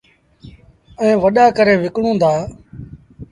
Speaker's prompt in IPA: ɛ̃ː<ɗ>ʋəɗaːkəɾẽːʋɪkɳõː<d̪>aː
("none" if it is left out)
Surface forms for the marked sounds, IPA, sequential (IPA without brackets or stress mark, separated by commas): none, d̪